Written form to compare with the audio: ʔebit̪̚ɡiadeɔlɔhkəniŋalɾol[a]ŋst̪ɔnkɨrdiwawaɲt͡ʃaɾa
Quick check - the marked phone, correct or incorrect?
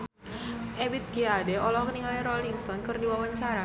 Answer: incorrect